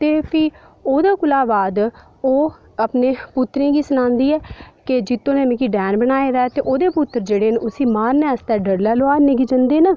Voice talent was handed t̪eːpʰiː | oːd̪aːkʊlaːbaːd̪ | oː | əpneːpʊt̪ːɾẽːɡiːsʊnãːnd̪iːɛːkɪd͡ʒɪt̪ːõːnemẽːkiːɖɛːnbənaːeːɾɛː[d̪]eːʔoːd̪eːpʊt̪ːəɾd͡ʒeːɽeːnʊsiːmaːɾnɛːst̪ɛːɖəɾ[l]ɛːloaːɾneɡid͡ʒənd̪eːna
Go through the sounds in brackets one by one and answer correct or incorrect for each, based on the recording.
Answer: incorrect: t̪, correct

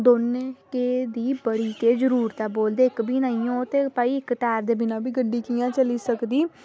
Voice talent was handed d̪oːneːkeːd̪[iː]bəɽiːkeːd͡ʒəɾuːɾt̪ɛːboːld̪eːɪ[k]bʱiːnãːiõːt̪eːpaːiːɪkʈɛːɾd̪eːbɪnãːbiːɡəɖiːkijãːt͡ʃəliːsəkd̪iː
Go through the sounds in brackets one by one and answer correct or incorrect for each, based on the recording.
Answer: correct, correct

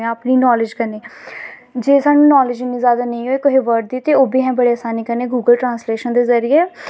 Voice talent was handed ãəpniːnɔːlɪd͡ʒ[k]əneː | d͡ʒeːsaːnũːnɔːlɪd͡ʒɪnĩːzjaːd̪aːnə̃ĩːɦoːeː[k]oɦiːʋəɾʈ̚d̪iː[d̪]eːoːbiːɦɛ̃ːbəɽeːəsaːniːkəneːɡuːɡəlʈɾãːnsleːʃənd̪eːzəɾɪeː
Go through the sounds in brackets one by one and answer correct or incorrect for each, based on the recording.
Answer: correct, correct, incorrect: t̪

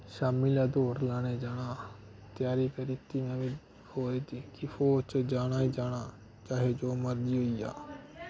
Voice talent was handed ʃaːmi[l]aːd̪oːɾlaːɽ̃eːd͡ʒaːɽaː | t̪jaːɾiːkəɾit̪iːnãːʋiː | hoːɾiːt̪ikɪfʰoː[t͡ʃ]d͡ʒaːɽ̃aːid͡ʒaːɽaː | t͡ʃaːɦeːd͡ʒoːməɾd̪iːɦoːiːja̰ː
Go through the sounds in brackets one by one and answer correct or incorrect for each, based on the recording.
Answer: correct, correct

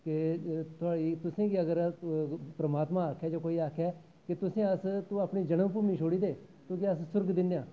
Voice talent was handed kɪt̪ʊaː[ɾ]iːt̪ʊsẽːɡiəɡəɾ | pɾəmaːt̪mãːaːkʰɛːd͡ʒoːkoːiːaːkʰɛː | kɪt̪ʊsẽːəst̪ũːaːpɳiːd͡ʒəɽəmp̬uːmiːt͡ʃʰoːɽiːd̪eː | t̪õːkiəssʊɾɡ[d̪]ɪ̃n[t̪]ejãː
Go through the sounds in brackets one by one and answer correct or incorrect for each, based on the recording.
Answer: incorrect: ɽ, correct, incorrect: d̪

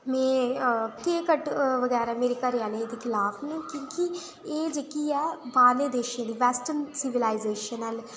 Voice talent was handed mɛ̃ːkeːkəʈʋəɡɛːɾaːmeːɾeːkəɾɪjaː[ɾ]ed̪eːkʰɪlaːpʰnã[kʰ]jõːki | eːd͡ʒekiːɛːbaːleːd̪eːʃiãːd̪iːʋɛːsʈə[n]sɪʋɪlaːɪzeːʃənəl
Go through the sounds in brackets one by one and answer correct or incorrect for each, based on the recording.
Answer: incorrect: l, incorrect: k, correct

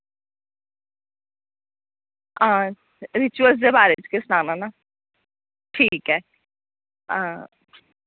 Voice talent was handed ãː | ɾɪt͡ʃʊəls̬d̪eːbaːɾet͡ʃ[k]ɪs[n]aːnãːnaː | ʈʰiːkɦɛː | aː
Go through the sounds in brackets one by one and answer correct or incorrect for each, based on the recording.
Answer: correct, correct

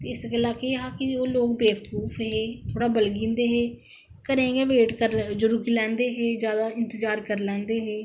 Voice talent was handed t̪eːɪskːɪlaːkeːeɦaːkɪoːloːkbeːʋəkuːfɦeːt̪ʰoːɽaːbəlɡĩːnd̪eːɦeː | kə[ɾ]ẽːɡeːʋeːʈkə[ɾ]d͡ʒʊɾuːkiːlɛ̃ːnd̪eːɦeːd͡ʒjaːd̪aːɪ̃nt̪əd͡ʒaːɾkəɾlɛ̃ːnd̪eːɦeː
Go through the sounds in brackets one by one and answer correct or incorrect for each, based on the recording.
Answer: correct, correct

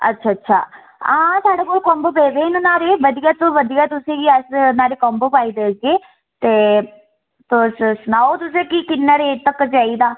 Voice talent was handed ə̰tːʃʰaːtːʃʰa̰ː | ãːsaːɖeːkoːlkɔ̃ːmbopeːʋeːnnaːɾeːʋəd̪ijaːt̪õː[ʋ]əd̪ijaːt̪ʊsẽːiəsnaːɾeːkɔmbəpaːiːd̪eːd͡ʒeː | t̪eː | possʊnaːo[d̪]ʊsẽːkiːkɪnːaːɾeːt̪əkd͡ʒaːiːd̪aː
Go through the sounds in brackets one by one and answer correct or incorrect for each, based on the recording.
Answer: correct, incorrect: t̪

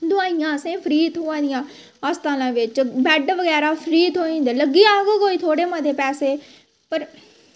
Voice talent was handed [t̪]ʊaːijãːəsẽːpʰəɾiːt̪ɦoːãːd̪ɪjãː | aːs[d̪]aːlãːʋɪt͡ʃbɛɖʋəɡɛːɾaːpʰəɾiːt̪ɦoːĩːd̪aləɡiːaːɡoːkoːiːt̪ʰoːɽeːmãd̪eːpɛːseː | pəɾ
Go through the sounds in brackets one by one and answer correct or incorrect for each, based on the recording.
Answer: incorrect: d̪, incorrect: t̪

